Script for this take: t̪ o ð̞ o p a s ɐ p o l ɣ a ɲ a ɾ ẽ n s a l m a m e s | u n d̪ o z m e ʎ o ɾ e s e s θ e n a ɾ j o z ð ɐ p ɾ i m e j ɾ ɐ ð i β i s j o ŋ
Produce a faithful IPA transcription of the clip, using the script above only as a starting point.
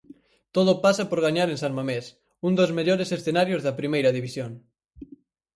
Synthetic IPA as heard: t̪ o ð̞ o p a s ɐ p o ɾ ɣ a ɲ a ɾ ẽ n s a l m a m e s | u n d̪ o z m e ʎ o ɾ e s e s θ e n a ɾ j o z ð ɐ p ɾ i m e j ɾ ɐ ð i β i s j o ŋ